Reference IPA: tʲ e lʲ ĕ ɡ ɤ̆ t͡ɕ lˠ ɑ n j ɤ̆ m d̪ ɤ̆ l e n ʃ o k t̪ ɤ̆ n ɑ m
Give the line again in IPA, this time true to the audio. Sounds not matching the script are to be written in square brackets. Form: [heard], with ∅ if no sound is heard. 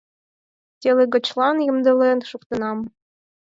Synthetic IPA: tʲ e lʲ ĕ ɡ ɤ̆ t͡ɕ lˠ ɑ n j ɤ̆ m d̪ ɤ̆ l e n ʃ [u] k t̪ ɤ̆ n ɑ m